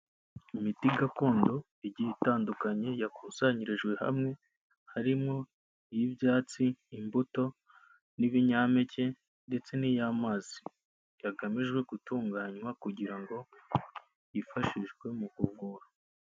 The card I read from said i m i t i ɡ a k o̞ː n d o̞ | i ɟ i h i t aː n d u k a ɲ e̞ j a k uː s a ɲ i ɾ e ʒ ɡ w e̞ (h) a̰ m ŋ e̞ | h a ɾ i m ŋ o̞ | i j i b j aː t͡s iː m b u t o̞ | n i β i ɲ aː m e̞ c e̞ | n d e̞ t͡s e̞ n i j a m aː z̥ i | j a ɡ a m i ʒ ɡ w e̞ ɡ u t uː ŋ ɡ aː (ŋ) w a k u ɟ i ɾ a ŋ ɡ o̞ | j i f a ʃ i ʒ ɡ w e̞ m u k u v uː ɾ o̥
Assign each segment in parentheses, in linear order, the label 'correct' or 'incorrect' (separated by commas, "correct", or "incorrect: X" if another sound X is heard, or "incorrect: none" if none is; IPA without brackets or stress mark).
correct, incorrect: ɲ